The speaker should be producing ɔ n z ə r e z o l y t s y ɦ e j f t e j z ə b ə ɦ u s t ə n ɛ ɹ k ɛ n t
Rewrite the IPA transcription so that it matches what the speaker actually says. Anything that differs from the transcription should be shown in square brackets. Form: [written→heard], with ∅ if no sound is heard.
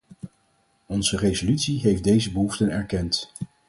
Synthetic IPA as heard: ɔ n z ə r e z o l y t s [y→i] ɦ e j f [t→d] e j z ə b ə ɦ u [s→f] t ə n ɛ ɹ k ɛ n t